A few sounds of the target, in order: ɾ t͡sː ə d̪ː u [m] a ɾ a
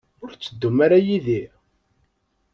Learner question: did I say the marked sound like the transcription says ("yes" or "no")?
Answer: yes